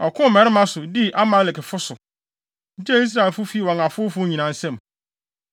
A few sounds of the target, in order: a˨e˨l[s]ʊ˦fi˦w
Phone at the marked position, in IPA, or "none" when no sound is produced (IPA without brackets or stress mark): f